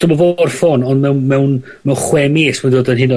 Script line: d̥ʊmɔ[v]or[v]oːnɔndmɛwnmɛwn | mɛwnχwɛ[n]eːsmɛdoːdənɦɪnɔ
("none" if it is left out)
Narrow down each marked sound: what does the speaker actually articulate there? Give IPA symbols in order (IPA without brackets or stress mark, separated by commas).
v, f, m